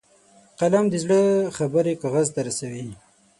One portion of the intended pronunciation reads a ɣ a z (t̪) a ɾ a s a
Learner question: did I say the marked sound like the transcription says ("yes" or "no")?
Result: yes